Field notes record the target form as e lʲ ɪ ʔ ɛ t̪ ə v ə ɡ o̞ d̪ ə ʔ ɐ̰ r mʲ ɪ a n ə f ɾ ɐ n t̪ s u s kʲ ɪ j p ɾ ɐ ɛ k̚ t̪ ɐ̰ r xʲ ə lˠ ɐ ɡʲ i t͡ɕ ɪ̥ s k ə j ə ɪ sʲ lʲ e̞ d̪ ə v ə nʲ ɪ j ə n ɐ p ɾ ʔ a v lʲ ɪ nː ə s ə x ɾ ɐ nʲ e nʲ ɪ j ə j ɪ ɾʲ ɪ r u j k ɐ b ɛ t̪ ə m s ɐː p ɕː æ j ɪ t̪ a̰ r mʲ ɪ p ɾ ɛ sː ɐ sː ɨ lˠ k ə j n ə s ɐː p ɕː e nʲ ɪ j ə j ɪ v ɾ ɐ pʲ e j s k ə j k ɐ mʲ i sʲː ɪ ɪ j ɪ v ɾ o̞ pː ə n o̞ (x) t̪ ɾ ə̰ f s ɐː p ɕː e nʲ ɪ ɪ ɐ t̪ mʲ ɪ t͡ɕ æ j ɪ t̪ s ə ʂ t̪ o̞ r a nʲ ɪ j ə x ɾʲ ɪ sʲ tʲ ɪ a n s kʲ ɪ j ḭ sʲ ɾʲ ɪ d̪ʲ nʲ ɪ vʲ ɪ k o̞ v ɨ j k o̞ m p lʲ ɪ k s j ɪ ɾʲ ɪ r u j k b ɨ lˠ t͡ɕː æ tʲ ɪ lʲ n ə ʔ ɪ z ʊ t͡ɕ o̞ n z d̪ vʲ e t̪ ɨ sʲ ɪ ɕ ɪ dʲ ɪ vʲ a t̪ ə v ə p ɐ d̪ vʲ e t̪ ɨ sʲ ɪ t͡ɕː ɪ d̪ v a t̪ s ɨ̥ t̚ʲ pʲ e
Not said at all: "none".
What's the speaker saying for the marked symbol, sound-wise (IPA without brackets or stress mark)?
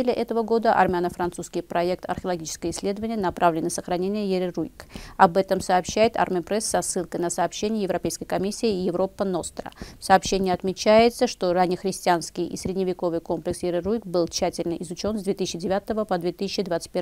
s